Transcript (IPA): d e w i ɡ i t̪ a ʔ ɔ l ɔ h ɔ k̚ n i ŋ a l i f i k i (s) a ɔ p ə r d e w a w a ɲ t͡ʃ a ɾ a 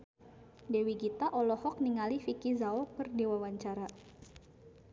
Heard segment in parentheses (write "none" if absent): z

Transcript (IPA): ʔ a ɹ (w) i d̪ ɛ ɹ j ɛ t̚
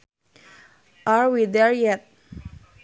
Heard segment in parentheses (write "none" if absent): w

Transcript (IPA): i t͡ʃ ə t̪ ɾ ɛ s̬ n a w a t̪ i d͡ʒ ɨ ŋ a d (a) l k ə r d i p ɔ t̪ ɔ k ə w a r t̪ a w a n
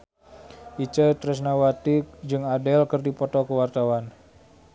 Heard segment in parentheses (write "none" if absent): ɛ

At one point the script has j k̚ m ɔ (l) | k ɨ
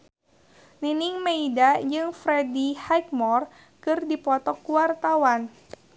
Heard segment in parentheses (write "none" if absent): r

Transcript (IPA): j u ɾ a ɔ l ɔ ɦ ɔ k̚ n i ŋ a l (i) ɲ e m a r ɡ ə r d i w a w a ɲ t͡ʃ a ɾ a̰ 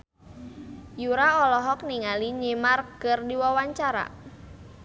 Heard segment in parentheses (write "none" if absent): i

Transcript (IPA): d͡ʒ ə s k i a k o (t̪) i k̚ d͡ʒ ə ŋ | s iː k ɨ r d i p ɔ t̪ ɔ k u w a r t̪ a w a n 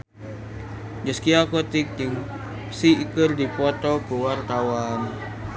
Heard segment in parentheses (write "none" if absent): t̪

